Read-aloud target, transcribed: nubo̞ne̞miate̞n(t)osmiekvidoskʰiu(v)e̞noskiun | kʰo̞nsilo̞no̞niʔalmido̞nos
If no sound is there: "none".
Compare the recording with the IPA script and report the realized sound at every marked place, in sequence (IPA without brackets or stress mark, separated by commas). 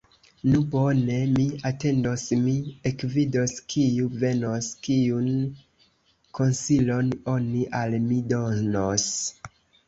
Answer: d, v